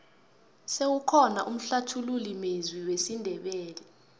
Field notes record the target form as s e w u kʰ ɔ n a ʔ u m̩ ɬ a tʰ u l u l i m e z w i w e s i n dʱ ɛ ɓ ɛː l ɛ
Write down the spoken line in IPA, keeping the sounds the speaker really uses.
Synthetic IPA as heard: s e w u kʰ ɔ n a ʔ u m̩ ɬ a tʰ u l u l i m e z w i w e s i n dʱ ɛ ɓ ɛː l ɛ